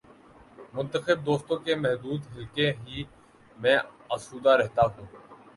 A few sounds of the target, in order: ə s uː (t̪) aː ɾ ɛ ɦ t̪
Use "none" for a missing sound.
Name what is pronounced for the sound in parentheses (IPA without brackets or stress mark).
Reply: d̪